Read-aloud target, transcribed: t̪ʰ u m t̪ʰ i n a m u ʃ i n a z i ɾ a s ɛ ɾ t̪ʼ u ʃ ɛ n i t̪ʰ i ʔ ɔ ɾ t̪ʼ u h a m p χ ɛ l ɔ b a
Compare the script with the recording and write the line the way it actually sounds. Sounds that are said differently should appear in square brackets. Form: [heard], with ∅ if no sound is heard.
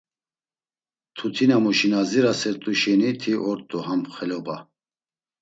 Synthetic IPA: t̪ʰ u [∅] t̪ʰ i n a m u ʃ i n a z i ɾ a s ɛ ɾ t̪ʼ u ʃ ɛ n i t̪ʰ i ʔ ɔ ɾ t̪ʼ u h a m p χ ɛ l ɔ b a